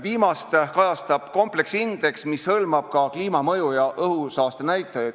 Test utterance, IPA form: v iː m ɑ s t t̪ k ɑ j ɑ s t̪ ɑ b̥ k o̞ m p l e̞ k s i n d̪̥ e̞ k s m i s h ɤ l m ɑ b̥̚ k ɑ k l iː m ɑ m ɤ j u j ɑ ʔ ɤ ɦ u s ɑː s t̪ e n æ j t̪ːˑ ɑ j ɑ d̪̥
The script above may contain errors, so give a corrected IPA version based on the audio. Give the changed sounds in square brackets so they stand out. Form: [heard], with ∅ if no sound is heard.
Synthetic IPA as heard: v iː m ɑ s t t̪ k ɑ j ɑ s t̪ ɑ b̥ k o̞ m p l e̞ k s i n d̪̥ e̞ k s m i s h ɤ l m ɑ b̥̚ k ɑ k l iː m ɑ m ɤ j u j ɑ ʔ ɤ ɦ u s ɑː s t̪ e n æ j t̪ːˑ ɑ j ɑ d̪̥